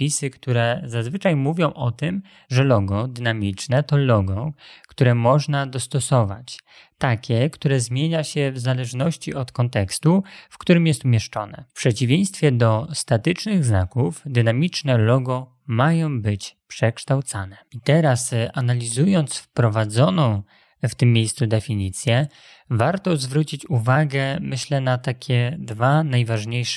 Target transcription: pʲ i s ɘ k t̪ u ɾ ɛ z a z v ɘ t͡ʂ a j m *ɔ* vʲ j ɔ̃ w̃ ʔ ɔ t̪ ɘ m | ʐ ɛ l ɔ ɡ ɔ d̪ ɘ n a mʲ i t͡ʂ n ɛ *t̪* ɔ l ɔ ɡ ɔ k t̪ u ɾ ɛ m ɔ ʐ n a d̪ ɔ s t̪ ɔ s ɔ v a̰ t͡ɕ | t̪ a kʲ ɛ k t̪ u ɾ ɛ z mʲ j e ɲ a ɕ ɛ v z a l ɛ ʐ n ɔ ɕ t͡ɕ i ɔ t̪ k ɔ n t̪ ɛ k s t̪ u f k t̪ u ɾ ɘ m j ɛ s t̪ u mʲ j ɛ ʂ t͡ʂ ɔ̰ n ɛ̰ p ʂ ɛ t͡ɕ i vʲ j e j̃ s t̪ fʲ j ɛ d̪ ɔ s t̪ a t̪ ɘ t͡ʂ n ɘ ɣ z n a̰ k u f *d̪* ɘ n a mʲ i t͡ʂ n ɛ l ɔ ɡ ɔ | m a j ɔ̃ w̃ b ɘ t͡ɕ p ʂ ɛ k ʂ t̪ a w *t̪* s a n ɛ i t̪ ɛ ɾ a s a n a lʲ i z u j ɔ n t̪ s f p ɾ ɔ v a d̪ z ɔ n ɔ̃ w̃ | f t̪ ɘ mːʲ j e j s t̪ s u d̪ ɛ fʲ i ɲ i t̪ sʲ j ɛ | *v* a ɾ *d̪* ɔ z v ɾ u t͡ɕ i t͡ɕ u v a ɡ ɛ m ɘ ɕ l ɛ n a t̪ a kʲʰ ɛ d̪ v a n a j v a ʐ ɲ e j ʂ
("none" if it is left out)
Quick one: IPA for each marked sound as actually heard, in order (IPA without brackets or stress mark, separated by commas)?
u, t̪, d̪, t̪, v, t̪